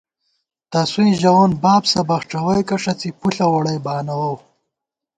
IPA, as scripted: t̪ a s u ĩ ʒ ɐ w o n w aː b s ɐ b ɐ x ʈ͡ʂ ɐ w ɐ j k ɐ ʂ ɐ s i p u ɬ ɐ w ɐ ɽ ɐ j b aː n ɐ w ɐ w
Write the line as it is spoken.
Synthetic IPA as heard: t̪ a s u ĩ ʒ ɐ w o n b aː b s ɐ b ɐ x ʈ͡ʂ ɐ w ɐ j k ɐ ʂ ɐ t͡s i p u ɬ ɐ w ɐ ɽ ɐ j b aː n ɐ w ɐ w